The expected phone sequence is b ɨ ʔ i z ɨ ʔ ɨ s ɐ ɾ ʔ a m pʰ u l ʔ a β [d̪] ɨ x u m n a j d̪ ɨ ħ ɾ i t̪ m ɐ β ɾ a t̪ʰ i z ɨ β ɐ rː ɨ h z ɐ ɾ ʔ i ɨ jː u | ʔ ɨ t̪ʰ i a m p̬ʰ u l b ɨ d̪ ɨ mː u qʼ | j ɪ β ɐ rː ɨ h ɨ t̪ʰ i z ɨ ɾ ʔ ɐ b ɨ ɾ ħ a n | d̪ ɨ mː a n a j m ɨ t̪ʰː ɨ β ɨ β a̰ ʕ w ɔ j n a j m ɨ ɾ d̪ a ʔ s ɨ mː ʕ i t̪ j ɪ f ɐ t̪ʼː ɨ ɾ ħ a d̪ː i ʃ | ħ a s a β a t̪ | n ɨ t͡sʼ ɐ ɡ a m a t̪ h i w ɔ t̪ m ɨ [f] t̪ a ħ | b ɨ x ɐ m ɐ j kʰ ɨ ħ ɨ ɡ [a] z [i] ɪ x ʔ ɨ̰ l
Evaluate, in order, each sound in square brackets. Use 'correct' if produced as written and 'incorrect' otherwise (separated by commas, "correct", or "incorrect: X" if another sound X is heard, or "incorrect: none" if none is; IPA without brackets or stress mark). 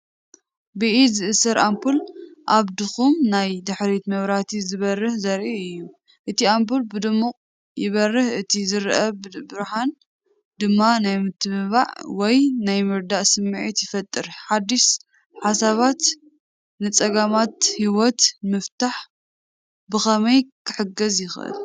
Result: correct, correct, incorrect: ɐ, incorrect: j